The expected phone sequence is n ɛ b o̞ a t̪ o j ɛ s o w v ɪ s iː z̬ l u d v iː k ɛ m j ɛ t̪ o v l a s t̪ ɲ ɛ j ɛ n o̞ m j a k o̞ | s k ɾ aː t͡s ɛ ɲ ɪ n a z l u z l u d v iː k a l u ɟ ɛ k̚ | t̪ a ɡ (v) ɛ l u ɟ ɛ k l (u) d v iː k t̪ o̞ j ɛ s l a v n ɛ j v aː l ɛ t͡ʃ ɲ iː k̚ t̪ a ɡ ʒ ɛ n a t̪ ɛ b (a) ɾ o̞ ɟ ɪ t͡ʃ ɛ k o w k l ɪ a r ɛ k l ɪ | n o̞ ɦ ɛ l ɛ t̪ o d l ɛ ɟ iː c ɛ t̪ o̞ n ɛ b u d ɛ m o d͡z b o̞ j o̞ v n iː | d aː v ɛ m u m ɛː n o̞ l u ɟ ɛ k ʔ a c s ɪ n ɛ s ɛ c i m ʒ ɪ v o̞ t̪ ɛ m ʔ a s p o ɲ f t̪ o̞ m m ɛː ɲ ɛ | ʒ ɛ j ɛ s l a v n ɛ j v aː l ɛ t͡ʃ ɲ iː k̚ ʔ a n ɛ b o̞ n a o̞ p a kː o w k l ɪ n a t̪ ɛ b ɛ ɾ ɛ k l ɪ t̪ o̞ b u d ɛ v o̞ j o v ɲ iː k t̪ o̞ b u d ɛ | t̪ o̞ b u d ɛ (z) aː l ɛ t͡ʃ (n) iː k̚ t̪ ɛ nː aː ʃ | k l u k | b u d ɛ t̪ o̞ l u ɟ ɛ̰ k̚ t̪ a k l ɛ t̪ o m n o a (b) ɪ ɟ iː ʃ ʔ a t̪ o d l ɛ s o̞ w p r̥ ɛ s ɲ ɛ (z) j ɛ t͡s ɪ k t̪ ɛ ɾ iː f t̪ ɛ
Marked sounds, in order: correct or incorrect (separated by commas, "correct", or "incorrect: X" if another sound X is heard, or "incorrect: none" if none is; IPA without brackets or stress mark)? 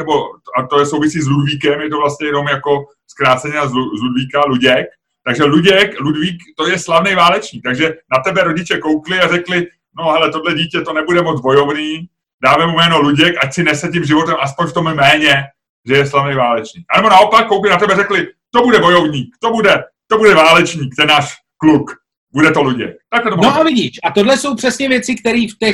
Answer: incorrect: ʒ, correct, incorrect: ɛ, incorrect: v, incorrect: ɲ, incorrect: v, incorrect: v